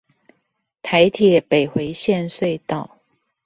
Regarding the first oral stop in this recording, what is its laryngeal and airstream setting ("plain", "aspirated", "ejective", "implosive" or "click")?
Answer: aspirated